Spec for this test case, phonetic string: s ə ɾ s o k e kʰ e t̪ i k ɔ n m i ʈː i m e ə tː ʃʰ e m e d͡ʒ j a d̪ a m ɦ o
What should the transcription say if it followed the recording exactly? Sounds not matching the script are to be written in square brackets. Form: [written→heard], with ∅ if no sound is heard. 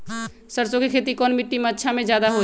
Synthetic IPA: s ə ɾ s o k e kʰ e t̪ i k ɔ n m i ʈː i m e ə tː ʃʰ [e→a] m e d͡ʒ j a d̪ a [m→∅] ɦ o

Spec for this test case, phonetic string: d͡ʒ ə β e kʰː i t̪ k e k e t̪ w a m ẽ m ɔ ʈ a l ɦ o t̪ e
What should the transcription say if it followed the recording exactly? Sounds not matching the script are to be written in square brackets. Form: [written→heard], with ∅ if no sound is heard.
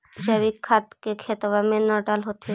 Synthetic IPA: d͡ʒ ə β [e→i] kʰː [i→a] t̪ k e [k→kʰ] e t̪ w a m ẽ [m→n] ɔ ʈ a l ɦ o t̪ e

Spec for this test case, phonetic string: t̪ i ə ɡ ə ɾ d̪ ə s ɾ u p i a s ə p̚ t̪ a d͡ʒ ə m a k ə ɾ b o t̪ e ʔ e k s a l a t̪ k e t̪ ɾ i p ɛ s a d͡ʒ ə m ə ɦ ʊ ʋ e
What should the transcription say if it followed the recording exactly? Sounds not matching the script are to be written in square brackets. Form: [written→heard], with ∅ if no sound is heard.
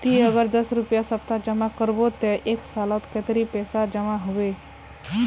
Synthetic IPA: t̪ i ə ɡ ə ɾ d̪ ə s ɾ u p [i→j] a s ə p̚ t̪ a d͡ʒ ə m a k ə ɾ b o t̪ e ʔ e k s a l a t̪ k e t̪ ɾ i p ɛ s a d͡ʒ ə m [ə→a] ɦ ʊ ʋ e

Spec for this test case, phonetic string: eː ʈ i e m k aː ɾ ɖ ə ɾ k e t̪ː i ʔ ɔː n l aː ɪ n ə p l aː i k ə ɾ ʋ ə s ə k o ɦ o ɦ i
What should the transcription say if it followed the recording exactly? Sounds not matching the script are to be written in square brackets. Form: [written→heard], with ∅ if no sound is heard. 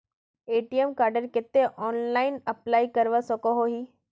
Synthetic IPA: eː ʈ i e m k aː ɾ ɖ ə ɾ k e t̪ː [i→e] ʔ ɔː n l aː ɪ n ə p l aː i k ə ɾ ʋ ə s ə k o ɦ o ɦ i

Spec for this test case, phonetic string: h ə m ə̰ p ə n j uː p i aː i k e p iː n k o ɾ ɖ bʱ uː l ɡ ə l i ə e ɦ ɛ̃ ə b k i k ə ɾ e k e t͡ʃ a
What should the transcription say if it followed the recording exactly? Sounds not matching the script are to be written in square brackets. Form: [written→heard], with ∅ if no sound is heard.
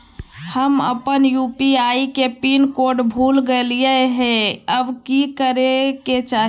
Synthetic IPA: h ə m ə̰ p ə n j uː p i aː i k e p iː n k o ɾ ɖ bʱ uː l ɡ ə l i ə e ɦ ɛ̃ ə b k i k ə ɾ e k e t͡ʃ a

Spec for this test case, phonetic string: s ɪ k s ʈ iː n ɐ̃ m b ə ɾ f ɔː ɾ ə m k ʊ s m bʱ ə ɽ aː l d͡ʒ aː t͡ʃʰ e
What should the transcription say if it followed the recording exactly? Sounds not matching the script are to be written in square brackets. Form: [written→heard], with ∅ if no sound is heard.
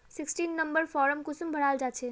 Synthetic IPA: s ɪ k s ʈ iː [n→nː] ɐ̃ m b ə ɾ f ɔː ɾ ə m k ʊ s m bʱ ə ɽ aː l d͡ʒ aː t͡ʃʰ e

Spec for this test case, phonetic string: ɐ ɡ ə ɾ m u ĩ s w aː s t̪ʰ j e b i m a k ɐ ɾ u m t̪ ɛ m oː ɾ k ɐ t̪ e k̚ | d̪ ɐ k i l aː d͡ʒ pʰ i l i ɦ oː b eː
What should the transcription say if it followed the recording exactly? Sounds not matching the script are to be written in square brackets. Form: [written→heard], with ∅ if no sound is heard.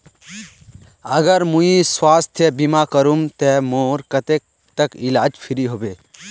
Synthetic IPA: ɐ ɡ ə ɾ m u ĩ s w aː s t̪ʰ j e b i m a k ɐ ɾ u m t̪ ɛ m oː ɾ k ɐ t̪ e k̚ | [d̪→t̪] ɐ k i l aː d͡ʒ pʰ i [l→ɾ] i ɦ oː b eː

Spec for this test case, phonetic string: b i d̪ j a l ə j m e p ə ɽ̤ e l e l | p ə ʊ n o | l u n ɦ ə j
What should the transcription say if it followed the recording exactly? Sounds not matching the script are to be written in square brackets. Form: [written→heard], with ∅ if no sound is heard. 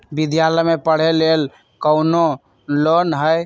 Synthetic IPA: b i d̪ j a l ə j m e p ə ɽ̤ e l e l | [p→k] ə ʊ n o | l [u→o] n ɦ ə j

